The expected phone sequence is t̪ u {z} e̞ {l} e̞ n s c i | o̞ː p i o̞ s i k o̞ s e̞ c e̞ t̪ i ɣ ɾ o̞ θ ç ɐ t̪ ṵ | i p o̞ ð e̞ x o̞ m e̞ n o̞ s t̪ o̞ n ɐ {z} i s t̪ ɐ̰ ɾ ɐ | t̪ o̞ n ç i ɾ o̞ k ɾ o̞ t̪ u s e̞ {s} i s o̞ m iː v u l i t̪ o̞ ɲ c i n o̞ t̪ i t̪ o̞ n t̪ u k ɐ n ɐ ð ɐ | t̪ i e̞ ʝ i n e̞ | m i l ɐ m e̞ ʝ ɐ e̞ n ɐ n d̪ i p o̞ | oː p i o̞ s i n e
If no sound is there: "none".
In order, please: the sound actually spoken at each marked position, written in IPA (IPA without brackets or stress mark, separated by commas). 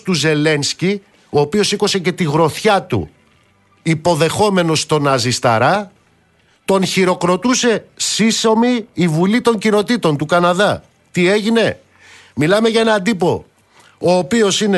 z, l, z, s